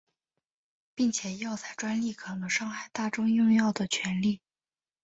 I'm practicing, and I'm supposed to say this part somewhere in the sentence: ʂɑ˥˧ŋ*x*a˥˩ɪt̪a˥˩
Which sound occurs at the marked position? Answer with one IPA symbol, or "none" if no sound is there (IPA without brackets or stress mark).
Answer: x